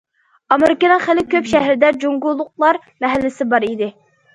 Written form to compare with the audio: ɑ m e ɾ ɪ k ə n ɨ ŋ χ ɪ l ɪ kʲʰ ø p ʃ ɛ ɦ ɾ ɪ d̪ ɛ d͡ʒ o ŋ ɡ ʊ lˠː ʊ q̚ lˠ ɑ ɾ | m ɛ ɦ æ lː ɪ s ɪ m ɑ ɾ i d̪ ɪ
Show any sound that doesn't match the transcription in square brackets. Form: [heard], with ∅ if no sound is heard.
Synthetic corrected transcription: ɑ m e ɾ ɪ k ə n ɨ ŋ χ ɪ l ɪ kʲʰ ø p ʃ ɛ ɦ ɾ ɪ d̪ ɛ d͡ʒ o ŋ ɡ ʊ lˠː ʊ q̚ lˠ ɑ ɾ | m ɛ ɦ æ lː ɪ s ɪ [b] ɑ ɾ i d̪ ɪ